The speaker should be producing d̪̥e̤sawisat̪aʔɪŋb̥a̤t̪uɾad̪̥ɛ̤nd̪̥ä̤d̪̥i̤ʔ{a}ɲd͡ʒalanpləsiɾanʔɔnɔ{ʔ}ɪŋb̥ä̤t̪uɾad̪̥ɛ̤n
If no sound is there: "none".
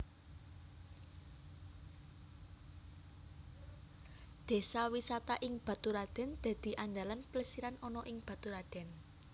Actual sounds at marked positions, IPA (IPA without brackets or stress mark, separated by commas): a, ʔ